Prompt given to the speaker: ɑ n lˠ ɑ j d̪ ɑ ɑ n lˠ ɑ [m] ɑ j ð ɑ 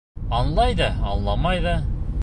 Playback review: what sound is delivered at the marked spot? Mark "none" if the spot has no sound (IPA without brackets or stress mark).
m